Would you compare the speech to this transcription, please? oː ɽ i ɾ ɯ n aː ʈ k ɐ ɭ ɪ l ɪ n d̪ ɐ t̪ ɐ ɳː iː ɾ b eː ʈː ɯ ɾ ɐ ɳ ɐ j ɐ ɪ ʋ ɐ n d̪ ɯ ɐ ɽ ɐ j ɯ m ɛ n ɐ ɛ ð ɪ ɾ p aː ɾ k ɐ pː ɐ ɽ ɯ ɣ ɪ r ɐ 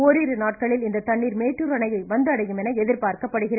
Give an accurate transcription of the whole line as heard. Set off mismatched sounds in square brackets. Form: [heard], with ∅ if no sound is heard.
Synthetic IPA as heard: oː [ɾ] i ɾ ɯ n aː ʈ k ɐ ɭ ɪ l ɪ n d̪ ɐ t̪ ɐ ɳː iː ɾ [m] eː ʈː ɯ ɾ ɐ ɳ ɐ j ɐ ɪ ʋ ɐ n d̪ ɯ ɐ ɽ ɐ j ɯ m ɛ n ɐ ɛ ð ɪ ɾ p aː ɾ k ɐ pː ɐ ɽ ɯ ɣ ɪ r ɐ